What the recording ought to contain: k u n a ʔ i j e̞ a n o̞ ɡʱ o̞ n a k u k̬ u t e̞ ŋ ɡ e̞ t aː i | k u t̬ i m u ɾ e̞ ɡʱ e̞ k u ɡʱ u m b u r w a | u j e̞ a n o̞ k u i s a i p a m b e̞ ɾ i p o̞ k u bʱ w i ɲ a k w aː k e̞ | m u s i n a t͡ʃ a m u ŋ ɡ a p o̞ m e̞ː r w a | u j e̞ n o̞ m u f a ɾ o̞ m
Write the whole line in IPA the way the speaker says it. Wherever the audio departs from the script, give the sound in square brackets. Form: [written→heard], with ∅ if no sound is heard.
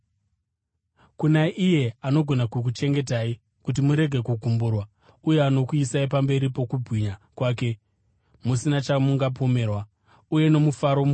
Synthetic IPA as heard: k u n a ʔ i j e̞ a n o̞ ɡʱ o̞ n a k u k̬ u [t→t͡ʃ] e̞ ŋ ɡ e̞ t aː i | k u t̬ i m u ɾ e̞ ɡʱ e̞ k u ɡʱ u m b u r w a | u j e̞ a n o̞ k u i s a i p a m b e̞ ɾ i p o̞ k u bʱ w i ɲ a k w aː k e̞ | m u s i n a t͡ʃ a m u ŋ ɡ a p o̞ m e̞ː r w a | u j e̞ n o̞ m u f a ɾ o̞ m